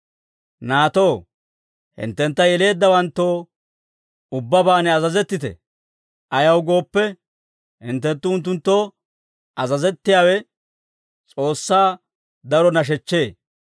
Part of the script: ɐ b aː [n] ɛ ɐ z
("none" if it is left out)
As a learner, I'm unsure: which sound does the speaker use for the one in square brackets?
n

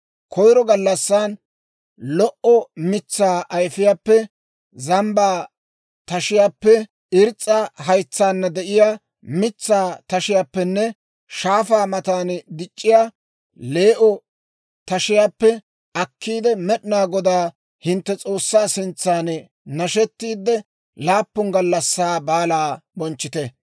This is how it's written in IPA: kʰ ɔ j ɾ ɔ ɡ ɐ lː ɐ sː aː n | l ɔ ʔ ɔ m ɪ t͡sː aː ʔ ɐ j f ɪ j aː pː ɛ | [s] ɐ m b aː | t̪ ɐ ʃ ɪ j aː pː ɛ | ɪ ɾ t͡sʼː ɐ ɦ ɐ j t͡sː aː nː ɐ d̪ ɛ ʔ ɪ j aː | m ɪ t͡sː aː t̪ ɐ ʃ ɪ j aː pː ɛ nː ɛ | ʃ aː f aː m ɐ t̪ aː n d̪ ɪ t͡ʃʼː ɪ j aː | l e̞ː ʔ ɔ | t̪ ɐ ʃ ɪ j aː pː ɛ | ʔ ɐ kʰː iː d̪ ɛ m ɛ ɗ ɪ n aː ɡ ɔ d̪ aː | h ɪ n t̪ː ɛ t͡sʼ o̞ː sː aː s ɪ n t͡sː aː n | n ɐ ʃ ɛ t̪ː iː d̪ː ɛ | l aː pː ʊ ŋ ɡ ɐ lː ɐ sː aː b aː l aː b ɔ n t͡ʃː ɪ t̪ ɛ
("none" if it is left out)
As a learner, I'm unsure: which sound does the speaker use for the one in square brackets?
z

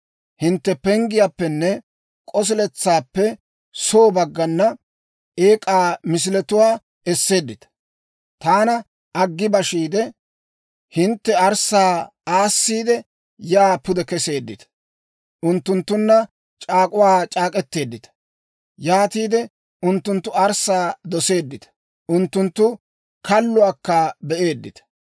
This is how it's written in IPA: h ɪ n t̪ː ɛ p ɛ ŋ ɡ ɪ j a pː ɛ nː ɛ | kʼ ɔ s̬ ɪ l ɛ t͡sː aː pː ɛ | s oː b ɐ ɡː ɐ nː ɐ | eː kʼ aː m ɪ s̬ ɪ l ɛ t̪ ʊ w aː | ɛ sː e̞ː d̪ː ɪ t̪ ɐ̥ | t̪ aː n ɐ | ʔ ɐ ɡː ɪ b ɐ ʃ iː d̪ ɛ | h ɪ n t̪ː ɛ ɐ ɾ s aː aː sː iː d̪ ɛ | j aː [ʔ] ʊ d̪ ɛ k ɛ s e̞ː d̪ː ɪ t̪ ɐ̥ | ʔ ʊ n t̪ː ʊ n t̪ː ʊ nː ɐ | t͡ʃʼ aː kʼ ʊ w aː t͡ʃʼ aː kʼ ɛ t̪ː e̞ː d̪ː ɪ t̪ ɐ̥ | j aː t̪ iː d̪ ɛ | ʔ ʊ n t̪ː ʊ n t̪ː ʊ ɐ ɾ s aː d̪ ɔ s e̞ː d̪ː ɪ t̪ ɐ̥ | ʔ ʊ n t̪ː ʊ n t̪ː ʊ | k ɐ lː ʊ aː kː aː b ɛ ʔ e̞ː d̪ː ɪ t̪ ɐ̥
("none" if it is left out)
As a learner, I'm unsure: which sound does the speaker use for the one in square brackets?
p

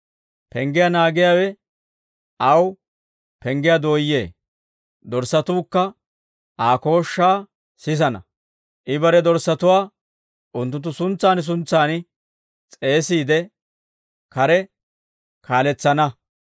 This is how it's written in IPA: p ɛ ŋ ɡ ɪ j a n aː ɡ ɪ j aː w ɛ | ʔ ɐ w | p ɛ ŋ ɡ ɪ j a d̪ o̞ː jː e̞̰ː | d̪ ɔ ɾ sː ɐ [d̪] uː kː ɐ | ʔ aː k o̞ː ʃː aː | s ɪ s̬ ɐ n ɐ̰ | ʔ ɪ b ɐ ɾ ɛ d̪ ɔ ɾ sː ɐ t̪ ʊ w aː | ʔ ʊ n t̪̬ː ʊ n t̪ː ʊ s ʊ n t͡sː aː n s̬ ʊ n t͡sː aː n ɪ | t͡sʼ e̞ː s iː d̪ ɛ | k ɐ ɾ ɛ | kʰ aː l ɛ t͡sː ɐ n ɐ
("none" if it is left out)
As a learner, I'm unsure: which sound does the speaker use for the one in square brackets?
t̪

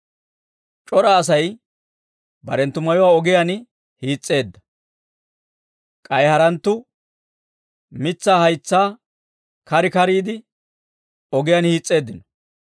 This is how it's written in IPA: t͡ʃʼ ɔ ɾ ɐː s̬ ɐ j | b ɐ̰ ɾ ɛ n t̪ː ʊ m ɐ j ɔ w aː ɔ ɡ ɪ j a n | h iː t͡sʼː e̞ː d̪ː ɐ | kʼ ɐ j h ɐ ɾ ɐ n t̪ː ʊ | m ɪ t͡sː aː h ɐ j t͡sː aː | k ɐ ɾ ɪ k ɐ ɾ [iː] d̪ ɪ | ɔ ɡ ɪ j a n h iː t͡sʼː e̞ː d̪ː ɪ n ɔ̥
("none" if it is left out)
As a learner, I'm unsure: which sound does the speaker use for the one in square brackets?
iː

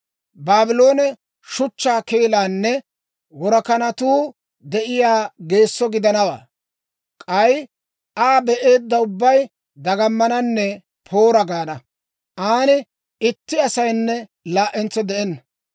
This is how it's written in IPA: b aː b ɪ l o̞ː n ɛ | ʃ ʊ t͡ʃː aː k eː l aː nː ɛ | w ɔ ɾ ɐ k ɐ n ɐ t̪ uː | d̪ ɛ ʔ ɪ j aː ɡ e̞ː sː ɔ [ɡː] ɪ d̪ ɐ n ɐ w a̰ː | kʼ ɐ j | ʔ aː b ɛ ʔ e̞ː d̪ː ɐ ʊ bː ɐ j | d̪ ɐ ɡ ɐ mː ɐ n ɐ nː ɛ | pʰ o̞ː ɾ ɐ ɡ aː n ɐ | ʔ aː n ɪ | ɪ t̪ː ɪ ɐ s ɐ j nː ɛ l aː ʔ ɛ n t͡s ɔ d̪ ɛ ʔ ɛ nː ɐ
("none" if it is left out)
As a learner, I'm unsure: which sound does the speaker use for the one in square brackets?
ɡ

